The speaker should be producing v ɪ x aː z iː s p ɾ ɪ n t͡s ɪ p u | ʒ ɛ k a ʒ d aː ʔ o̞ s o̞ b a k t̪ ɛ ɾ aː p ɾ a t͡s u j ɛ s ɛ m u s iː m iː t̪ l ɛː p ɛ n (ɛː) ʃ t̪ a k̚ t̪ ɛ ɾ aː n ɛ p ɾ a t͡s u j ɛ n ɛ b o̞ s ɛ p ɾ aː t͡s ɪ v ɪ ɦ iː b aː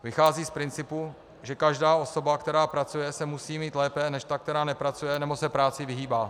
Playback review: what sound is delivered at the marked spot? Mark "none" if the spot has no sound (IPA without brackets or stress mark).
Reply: ɛ